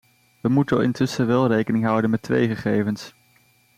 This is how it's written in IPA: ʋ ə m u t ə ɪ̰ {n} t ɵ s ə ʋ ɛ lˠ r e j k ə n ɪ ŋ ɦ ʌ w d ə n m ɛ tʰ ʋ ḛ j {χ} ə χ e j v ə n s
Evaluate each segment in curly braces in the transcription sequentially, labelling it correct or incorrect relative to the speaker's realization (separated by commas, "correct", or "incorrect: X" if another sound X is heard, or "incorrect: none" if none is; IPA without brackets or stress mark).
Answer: correct, correct